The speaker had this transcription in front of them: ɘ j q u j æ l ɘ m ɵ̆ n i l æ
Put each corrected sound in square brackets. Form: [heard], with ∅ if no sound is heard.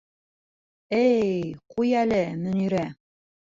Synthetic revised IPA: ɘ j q u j æ l ɘ m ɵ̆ n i [ɾ] æ